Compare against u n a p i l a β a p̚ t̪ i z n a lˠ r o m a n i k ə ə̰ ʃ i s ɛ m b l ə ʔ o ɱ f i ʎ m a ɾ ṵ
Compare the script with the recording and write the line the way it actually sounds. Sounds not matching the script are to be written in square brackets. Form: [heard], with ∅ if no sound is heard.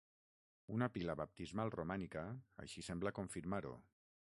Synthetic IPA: u n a p i l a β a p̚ t̪ i z [m] a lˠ r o m a n i k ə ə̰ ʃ i s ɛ m b l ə [k] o ɱ f i [ɾ] m a ɾ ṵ